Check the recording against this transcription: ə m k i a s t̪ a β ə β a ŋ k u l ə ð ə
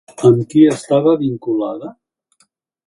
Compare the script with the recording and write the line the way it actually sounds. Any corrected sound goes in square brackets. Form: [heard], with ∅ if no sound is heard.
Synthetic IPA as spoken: ə m k i [ə] s t̪ a β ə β [i] ŋ k u l [a] ð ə

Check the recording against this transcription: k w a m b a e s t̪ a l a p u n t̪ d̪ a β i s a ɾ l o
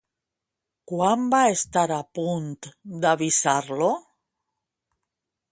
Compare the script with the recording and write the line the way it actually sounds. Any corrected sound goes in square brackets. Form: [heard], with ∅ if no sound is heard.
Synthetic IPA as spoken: k w a m b a e s t̪ a [ɾ] a p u n t̪ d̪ a β i s a ɾ l o

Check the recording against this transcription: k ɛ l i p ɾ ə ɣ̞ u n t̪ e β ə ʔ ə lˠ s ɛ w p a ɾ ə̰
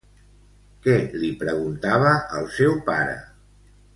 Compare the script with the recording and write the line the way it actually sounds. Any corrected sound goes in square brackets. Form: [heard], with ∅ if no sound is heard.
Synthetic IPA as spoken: k ɛ l i p ɾ ə ɣ̞ u n t̪ [a] β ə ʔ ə lˠ s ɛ w p a ɾ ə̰

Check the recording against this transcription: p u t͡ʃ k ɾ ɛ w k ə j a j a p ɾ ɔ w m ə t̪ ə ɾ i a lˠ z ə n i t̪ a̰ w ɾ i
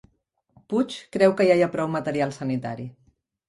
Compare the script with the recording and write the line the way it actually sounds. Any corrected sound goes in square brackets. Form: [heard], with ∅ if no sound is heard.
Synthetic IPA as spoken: p u t͡ʃ k ɾ ɛ w k ə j a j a p ɾ ɔ w m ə t̪ ə ɾ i a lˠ [s] ə n i t̪ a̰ [∅] ɾ i

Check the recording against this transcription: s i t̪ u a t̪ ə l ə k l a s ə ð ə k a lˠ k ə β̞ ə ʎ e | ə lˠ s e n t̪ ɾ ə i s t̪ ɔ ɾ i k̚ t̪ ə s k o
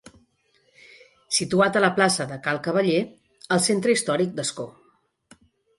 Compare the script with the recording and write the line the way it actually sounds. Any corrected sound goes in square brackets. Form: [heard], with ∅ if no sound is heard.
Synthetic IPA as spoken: s i t̪ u a t̪ ə l ə [p] l a s ə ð ə k a lˠ k ə β̞ ə ʎ e | ə lˠ s e n t̪ ɾ ə i s t̪ ɔ ɾ i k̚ [d̪] ə s k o

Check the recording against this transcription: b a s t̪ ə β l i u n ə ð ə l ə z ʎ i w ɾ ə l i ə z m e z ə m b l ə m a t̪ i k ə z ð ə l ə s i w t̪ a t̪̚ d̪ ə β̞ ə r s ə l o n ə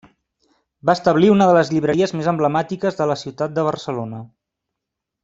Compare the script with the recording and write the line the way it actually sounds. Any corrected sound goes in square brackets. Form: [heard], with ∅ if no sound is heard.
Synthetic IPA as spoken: b a s t̪ ə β l i u n ə ð ə l ə z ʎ i [β] ɾ ə [ɾ] i ə z m e z ə m b l ə m a t̪ i k ə z ð ə l ə s i w t̪ a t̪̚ d̪ ə β̞ ə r s ə l o n ə

